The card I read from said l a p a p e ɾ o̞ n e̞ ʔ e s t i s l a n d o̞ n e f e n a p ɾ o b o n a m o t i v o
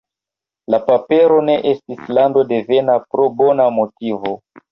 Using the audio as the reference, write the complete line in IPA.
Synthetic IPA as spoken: l a p a p e ɾ o̞ n e̞ ʔ e s t i s l a n d o̞ d e v e n a p ɾ o b o n a m o t i v o